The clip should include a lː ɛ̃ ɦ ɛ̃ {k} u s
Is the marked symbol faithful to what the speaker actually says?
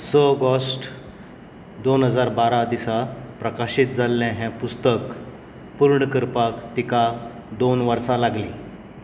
no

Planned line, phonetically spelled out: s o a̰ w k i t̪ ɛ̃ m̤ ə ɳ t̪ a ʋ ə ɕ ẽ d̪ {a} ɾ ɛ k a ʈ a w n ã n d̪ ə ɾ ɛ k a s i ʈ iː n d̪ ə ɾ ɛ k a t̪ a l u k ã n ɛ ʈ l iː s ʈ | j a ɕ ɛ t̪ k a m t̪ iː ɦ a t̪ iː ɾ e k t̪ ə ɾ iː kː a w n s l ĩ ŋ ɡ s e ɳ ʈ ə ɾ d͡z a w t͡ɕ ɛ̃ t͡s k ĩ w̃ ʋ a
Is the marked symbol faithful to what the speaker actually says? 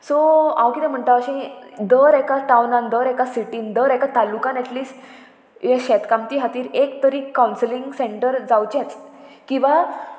no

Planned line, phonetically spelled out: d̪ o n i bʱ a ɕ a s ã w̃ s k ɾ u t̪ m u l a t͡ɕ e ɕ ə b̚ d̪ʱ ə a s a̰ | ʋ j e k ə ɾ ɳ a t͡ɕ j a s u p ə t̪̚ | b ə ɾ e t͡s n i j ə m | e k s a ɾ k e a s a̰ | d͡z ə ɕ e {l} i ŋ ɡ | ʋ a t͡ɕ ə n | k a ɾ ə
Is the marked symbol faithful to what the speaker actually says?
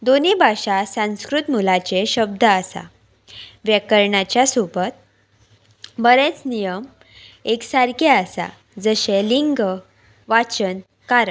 yes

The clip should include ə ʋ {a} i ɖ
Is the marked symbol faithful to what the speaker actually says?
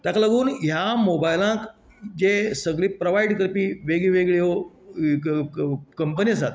yes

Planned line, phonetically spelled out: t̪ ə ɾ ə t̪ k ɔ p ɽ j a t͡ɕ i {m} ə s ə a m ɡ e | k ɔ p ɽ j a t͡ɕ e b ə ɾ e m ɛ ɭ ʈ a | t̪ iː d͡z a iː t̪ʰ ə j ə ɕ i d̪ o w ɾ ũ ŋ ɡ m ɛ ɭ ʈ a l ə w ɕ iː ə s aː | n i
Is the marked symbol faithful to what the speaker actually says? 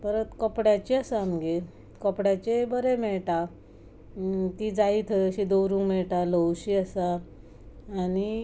no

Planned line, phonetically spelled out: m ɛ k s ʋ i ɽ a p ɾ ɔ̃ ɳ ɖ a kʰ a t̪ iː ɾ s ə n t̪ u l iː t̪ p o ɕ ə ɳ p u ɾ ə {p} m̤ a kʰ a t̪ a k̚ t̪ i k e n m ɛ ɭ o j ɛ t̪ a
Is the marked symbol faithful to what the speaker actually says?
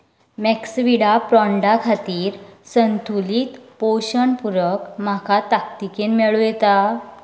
no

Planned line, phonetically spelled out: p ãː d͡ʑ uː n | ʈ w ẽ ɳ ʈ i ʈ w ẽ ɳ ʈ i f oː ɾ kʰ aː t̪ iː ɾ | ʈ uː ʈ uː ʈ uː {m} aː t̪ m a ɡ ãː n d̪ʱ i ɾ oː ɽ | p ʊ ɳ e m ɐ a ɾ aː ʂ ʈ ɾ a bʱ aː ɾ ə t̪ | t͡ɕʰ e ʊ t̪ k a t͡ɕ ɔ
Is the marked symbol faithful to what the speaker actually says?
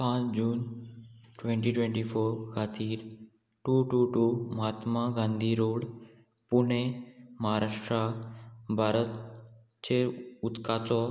yes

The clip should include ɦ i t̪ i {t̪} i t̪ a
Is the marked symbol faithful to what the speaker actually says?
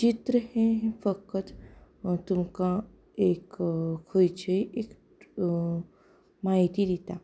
no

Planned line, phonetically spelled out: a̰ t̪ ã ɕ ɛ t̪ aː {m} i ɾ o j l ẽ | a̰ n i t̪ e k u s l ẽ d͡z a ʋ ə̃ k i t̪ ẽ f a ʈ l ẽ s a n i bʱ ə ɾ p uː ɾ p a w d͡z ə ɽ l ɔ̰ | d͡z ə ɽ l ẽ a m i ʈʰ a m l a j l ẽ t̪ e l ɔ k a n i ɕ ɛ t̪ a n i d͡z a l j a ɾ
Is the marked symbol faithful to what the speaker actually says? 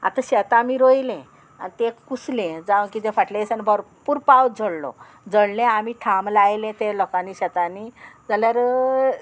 yes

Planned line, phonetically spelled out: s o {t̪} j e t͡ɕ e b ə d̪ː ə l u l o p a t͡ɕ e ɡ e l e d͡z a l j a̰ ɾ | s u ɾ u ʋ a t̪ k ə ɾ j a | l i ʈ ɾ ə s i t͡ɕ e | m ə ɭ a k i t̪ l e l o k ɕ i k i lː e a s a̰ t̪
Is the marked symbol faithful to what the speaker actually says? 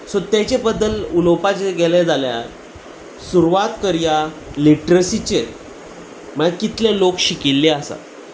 yes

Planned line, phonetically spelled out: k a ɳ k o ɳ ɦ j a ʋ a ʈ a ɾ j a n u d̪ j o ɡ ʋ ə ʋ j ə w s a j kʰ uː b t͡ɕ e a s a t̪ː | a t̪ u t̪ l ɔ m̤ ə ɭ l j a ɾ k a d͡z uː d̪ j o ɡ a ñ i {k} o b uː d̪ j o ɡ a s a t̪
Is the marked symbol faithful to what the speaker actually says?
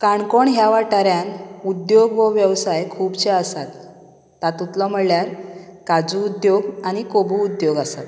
yes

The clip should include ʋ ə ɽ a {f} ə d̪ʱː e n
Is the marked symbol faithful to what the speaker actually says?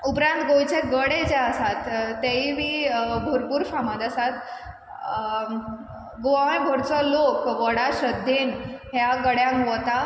no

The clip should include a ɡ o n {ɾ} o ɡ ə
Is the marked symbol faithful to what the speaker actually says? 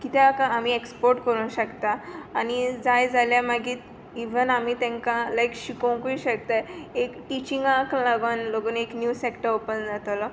no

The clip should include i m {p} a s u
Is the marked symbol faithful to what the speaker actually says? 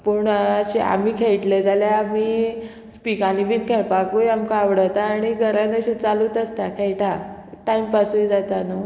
yes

